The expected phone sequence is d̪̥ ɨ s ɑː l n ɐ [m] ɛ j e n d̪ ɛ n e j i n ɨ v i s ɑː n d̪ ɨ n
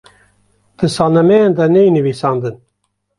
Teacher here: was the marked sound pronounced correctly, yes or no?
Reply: yes